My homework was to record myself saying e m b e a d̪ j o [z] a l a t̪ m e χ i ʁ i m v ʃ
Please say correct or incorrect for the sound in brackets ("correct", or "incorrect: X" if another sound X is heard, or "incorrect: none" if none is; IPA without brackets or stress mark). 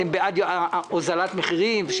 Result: correct